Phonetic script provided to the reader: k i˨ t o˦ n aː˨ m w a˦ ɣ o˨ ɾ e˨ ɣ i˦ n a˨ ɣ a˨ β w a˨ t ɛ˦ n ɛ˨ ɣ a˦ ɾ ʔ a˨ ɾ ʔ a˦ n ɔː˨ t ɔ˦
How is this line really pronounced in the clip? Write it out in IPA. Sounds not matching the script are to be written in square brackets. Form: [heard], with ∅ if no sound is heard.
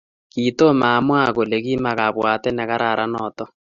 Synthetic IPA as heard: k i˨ t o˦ [m] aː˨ m w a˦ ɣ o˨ [l] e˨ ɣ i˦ [m] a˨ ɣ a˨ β w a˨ t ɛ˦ n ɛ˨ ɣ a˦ ɾ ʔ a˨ ɾ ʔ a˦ n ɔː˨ t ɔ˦